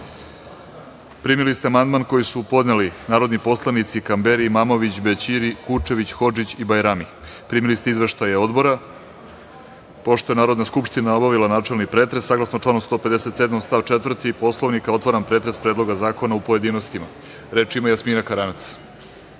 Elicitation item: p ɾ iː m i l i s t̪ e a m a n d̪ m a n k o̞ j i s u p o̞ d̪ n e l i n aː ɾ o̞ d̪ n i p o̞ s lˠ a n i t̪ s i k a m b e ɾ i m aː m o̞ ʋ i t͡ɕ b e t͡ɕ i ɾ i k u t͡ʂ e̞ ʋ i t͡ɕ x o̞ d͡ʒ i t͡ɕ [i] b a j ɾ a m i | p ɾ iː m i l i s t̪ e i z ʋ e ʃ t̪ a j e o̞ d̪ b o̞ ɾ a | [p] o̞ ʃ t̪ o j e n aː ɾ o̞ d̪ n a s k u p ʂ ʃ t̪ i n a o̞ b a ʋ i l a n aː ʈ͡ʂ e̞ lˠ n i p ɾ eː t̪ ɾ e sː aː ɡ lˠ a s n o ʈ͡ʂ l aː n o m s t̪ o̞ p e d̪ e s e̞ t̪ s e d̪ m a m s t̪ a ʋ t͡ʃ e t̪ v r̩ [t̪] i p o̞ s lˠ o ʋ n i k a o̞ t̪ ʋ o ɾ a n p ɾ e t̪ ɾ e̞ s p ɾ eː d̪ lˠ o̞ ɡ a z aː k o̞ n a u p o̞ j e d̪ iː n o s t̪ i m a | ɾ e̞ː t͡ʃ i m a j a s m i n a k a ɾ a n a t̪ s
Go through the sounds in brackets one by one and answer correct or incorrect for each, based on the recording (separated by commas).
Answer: correct, correct, correct